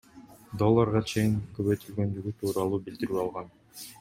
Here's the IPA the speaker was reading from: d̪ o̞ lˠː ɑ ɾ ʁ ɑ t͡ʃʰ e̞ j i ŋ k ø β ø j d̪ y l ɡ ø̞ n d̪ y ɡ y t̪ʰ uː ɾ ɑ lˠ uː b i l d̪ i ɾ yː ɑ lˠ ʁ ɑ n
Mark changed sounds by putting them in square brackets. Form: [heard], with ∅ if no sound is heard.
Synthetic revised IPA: d̪ o̞ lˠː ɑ ɾ ʁ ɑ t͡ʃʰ e̞ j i ŋ k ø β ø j [t̪] y l ɡ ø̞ n d̪ y ɡ y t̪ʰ uː ɾ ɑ lˠ uː b i l d̪ i ɾ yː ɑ lˠ ʁ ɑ n